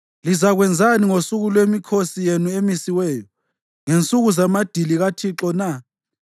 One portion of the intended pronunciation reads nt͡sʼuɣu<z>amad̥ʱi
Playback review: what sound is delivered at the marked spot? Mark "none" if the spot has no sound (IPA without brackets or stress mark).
z